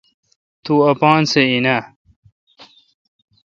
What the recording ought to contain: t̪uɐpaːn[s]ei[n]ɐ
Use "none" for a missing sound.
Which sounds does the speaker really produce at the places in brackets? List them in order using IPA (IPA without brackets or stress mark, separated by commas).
s, n